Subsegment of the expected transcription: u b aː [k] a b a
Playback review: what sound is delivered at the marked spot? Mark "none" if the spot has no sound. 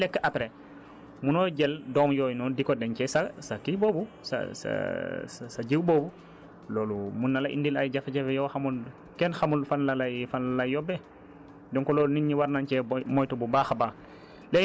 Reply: x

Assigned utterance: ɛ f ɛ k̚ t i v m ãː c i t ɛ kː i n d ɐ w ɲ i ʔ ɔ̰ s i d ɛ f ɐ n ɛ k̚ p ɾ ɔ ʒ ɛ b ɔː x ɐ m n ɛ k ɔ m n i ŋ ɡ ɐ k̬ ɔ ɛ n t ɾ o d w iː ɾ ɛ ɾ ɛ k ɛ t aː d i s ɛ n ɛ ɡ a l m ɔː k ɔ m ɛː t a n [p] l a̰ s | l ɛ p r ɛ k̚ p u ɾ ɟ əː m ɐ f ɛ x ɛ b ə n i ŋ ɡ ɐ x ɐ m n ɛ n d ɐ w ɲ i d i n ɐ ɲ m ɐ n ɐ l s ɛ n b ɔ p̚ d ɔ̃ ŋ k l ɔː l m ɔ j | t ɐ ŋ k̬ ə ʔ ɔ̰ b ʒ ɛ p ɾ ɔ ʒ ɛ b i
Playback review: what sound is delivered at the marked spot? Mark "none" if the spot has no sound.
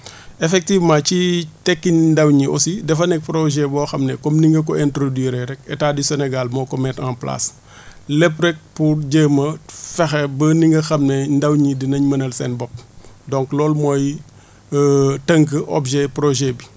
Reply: p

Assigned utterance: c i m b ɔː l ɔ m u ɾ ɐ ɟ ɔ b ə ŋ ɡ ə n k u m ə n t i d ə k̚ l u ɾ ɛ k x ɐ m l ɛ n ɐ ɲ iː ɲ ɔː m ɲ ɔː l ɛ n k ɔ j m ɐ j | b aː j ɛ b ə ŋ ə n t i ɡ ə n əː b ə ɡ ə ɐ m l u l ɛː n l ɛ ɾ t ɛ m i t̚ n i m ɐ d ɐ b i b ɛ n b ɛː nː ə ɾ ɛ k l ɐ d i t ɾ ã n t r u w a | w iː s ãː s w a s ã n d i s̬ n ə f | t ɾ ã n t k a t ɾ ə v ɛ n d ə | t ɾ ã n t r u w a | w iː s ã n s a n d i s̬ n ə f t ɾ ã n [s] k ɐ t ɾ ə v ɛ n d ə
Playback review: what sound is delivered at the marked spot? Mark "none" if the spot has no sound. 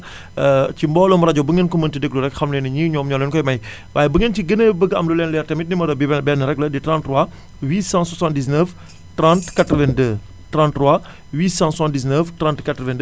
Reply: t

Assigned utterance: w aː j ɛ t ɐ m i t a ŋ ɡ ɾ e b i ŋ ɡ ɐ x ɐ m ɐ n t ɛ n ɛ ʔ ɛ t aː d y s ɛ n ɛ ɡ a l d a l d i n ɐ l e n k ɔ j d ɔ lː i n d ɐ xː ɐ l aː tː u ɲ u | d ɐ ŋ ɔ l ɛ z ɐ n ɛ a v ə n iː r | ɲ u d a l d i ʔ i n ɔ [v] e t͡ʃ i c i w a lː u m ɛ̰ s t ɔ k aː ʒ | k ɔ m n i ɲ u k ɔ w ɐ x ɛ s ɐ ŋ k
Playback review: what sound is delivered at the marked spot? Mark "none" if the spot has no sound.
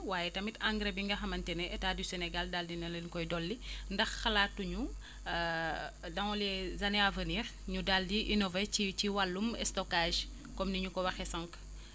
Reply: v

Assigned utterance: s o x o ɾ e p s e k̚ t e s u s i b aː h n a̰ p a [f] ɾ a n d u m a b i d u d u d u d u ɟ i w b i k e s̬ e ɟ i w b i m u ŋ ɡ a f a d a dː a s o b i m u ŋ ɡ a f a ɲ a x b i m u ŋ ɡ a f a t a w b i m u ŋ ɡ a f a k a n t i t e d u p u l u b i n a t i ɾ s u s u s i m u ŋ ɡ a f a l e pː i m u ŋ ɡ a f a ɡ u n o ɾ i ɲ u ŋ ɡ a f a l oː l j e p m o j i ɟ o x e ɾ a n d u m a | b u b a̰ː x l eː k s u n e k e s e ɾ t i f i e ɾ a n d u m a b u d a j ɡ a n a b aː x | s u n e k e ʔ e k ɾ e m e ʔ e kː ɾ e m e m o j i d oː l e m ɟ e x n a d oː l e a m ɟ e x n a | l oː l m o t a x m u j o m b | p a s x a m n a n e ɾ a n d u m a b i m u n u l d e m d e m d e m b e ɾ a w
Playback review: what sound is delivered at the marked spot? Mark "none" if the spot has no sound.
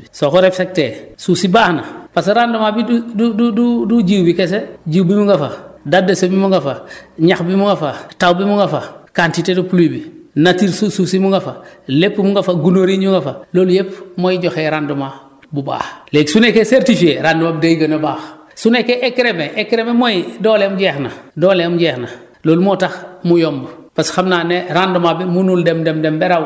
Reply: s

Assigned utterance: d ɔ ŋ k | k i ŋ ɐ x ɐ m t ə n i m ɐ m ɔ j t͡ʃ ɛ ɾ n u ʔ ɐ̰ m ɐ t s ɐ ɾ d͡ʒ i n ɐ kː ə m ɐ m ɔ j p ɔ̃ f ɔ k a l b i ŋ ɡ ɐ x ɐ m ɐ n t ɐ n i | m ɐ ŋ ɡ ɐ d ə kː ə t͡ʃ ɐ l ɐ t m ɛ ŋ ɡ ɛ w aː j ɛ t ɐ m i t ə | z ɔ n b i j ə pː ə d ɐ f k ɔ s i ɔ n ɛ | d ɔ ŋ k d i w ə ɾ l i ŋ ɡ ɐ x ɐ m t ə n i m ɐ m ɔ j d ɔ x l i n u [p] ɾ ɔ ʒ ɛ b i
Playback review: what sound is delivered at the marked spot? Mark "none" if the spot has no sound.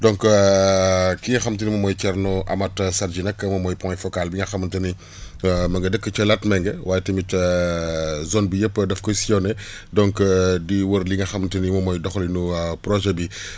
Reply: p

